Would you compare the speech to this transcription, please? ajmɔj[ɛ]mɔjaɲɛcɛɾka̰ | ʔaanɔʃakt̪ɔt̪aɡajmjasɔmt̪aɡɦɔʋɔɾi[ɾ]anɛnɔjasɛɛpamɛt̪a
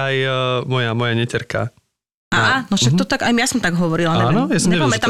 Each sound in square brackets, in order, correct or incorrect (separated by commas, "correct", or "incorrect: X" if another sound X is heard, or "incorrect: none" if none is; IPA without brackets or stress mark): incorrect: a, incorrect: l